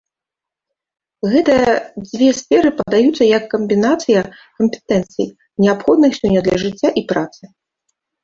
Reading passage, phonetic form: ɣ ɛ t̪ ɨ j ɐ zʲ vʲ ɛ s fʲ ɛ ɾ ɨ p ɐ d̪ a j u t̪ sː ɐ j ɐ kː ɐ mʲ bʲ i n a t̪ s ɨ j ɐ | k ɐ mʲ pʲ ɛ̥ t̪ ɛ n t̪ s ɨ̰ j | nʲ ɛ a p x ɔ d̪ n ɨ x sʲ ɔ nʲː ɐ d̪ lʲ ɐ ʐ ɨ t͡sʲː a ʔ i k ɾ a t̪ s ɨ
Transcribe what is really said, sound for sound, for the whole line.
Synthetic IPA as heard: ɣ ɛ t̪ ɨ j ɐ d͡zʲ vʲ ɛ s fʲ ɛ ɾ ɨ p ɐ d̪ a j u t̪ sː ɐ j ɐ kː ɐ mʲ bʲ i n a t̪ s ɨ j ɐ | k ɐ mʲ pʲ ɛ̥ t̪ ɛ n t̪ s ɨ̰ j | nʲ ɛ a p x ɔ d̪ n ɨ x sʲ ɔ nʲː ɐ d̪ lʲ ɐ ʐ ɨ t͡sʲː a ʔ i p ɾ a t̪ s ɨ